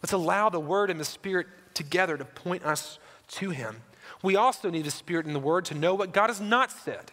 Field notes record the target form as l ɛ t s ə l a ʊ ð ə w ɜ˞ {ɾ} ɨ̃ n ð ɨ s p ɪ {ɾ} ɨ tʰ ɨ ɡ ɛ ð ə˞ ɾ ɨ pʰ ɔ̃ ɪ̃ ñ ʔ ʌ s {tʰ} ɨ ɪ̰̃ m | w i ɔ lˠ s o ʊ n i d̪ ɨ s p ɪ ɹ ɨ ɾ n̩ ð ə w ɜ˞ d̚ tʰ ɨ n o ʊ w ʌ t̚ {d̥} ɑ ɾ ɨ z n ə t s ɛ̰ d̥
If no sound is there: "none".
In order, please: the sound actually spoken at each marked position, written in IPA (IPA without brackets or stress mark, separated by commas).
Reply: ɾ, ɹ, tʰ, ɡ̥